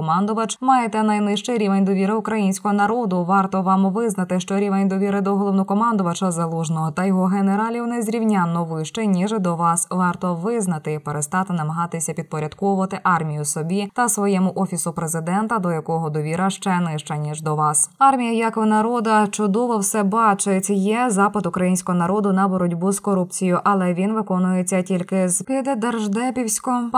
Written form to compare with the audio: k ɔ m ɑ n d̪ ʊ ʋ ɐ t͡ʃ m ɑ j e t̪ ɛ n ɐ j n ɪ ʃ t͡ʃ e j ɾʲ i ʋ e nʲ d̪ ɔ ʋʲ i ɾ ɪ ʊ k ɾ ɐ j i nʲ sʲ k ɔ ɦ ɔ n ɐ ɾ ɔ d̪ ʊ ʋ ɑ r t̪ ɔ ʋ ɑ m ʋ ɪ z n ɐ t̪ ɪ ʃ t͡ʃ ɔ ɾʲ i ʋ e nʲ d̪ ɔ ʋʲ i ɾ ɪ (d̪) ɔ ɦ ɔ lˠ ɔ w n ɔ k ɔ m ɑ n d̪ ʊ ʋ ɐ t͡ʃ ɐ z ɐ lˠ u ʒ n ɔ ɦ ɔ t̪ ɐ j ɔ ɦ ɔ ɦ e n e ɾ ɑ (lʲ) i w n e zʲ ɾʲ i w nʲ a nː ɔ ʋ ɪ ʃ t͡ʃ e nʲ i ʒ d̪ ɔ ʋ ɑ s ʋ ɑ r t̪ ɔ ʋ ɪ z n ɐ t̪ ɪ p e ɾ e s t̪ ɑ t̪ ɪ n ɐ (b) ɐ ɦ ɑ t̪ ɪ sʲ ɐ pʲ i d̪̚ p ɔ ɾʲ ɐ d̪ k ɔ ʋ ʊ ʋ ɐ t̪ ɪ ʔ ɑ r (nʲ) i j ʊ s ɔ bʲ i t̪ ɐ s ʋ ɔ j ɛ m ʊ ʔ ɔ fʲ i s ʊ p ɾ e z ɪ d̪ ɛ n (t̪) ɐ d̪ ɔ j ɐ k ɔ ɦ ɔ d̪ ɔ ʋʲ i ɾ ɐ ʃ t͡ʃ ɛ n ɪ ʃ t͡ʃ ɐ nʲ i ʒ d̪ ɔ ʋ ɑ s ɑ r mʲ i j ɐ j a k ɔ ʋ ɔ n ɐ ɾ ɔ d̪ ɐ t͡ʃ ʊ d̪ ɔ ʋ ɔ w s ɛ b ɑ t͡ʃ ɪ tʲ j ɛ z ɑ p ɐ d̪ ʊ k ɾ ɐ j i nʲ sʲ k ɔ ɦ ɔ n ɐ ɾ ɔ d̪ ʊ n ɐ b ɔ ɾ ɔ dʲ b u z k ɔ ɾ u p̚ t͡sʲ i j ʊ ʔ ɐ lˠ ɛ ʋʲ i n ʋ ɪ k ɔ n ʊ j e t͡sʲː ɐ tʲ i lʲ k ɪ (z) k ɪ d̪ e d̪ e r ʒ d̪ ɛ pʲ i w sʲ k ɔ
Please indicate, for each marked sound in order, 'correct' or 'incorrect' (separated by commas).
correct, correct, incorrect, incorrect, correct, correct